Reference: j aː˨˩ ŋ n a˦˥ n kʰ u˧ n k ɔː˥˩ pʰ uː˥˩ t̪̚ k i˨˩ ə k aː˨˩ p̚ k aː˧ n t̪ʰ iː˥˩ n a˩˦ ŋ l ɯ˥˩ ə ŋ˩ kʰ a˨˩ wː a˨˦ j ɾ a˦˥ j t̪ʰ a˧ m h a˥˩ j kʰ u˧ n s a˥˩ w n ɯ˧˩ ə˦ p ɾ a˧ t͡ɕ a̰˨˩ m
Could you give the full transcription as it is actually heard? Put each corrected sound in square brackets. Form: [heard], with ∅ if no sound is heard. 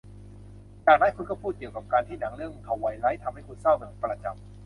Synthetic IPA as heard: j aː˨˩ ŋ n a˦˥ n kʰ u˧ n k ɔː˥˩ pʰ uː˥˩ t̪̚ k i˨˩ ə k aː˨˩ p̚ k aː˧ n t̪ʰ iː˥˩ n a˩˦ ŋ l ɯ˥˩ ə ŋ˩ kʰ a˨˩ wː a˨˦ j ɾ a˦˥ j t̪ʰ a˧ m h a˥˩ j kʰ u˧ n s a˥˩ w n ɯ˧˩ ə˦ p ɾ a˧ t͡ɕ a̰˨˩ m